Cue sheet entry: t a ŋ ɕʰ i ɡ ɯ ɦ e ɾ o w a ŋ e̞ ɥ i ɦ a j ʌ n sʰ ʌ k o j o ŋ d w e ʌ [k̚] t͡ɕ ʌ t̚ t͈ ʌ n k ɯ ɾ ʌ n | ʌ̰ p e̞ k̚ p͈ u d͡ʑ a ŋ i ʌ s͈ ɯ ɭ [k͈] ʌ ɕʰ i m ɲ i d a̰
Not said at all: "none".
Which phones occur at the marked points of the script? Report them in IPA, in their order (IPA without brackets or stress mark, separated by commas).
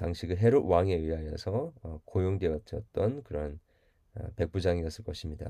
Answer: none, k͈